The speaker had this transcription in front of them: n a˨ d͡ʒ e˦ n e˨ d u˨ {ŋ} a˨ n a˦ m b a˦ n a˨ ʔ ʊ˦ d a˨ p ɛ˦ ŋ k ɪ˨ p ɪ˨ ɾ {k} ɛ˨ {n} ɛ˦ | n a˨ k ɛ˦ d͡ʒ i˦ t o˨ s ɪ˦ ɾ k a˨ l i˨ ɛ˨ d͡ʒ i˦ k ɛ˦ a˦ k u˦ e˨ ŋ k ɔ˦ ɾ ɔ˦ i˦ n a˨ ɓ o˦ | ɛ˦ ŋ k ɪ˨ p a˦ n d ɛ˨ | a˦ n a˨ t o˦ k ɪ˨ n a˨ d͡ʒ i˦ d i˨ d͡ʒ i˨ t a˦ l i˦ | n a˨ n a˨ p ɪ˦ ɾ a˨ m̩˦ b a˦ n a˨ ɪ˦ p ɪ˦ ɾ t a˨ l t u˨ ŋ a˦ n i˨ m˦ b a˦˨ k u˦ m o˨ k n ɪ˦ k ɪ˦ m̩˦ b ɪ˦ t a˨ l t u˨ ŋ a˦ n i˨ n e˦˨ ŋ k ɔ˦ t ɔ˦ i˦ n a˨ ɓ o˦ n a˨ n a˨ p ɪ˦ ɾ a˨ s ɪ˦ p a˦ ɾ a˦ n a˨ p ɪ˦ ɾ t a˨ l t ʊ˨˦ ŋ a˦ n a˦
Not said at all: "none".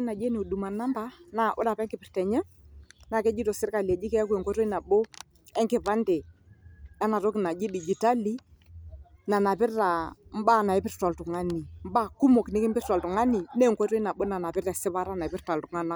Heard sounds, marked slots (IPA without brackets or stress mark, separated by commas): m, t, ɲ